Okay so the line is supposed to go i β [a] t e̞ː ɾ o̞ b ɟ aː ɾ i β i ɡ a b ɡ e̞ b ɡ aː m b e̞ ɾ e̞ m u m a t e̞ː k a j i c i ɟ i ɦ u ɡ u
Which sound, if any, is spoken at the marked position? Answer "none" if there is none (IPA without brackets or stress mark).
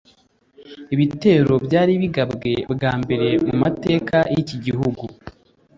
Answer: i